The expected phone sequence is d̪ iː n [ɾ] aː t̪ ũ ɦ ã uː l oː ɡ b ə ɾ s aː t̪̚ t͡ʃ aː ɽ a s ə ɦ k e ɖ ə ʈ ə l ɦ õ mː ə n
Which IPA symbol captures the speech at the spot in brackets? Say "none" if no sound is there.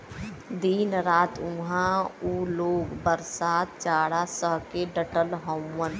ɾ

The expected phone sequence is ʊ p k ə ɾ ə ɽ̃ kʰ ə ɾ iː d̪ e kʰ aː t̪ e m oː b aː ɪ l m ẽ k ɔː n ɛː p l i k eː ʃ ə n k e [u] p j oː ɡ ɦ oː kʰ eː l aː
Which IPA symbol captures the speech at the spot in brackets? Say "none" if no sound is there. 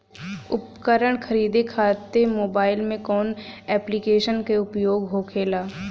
ʊ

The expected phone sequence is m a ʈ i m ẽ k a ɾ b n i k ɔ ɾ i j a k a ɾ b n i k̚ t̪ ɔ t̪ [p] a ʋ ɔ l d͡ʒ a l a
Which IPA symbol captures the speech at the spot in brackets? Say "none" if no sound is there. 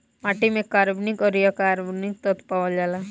p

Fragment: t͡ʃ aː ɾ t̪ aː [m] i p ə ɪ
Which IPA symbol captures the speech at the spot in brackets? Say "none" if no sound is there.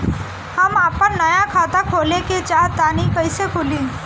n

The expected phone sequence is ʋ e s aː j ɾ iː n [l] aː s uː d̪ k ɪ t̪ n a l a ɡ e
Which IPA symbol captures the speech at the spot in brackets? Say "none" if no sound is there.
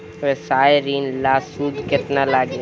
l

